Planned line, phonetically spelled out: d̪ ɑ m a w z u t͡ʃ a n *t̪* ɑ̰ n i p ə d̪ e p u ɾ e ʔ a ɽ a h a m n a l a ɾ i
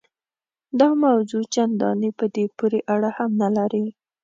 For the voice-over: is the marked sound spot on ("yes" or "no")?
no